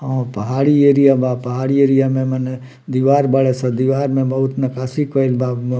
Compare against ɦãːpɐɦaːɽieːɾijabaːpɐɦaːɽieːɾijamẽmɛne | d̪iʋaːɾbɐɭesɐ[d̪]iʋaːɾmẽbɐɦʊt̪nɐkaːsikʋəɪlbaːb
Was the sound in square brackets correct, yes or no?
yes